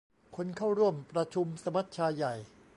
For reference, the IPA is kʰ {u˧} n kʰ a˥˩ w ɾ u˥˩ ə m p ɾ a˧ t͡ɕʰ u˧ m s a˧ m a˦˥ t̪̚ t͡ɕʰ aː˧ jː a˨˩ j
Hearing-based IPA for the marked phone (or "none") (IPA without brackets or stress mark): o˧